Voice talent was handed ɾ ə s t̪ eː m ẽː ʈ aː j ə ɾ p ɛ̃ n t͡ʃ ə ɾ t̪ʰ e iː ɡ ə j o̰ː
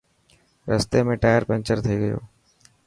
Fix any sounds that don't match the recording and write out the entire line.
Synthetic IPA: ɾ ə s t̪ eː m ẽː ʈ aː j ə ɾ p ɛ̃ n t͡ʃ ə ɾ t̪ʰ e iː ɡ ə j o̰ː

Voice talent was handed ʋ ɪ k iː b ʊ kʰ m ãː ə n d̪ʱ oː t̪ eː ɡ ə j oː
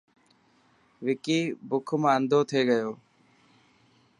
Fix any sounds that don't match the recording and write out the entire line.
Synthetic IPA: ʋ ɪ k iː b ʊ kʰ m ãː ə n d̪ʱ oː t̪ʰ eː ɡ ə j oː

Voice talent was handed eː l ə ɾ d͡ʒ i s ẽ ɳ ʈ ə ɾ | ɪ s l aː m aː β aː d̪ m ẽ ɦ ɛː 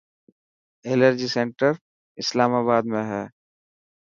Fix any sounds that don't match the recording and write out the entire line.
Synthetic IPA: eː l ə ɾ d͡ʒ i s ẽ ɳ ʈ ə ɾ | ɪ s l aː m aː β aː d̪ m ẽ ɦ ɛː

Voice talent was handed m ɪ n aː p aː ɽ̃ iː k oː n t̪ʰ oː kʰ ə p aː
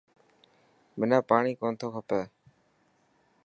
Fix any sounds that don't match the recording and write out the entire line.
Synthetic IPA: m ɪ n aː p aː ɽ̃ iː k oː n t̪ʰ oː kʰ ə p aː

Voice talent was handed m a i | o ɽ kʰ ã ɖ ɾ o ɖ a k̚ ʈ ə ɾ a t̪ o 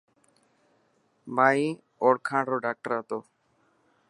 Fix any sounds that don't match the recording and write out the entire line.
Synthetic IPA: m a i | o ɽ kʰ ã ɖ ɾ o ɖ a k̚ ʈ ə ɾ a t̪ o

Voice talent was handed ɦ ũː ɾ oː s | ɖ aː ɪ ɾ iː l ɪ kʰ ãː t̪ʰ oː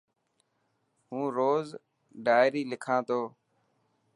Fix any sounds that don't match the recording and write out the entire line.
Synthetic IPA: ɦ ũː ɾ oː z | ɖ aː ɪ ɾ iː l ɪ kʰ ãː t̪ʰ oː

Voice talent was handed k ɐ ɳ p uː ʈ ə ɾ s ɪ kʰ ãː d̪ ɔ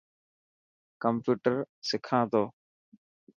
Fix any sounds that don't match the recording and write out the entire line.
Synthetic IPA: k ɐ m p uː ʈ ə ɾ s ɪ kʰ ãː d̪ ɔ

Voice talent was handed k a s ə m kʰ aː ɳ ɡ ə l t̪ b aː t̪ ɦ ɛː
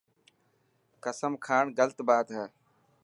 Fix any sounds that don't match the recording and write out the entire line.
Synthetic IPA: k ə s ə m kʰ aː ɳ ɡ ə l t̪ b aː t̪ ɦ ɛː

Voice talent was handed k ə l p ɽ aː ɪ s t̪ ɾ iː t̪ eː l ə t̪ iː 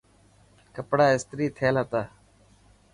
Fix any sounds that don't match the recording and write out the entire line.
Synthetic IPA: k ə p ɽ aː ɪ s t̪ ɾ iː t̪ʰ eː l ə t̪ aː

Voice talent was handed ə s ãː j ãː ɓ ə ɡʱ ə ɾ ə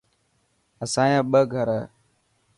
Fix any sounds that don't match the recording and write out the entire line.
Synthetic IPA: ə s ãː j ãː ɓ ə ɡʱ ə ɾ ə

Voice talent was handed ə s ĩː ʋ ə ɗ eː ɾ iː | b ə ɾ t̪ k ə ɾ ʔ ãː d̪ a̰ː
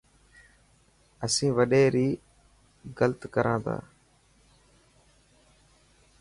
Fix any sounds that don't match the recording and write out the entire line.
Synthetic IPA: ə s ĩː ʋ ə ɗ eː ɾ iː | ɡ ə l t̪ k ə ɾ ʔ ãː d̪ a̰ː

